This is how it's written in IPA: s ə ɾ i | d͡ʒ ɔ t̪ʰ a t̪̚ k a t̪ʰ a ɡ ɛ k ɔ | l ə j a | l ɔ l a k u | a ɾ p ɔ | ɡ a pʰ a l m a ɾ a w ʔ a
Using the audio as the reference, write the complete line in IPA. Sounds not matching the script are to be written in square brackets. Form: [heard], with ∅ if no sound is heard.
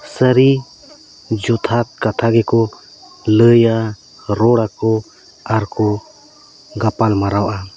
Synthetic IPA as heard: s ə ɾ i | d͡ʒ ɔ t̪ʰ a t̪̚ k a t̪ʰ a ɡ ɛ k ɔ | l ə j a | [ɾ] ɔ [ɽ] a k [ɔ] | a ɾ [k] ɔ | ɡ a [p] a l m a ɾ a w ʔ a